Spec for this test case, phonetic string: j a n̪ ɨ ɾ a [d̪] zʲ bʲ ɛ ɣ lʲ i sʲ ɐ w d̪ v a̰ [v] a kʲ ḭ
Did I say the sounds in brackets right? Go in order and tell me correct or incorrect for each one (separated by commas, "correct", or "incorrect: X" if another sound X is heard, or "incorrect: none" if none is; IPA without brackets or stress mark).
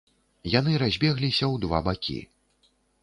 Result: incorrect: none, incorrect: b